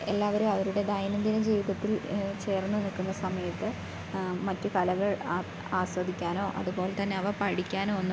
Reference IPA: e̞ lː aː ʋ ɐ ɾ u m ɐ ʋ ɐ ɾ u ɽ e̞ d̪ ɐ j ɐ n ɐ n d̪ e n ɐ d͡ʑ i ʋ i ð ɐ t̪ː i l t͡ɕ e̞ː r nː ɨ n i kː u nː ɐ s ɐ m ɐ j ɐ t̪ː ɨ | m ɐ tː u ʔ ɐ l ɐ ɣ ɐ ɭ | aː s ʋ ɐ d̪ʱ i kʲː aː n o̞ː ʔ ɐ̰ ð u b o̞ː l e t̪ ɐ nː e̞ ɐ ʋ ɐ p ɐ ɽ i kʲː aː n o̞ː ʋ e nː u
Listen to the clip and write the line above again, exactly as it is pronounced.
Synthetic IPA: e̞ lː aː ʋ ɐ ɾ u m ɐ ʋ ɐ ɾ u ɽ e̞ d̪ ɐ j ɐ n ɐ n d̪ i n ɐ d͡ʑ iː ʋ i ð ɐ t̪ː i l t͡ɕ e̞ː r nː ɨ n i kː u nː ɐ s ɐ m ɐ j ɐ t̪ː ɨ | m ɐ tː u k ɐ l ɐ ɣ ɐ ɭ | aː s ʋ ɐ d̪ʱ i kʲː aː n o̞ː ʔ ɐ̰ ð u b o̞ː l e t̪ ɐ nː e̞ ɐ ʋ ɐ p ɐ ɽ i kʲː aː n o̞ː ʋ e nː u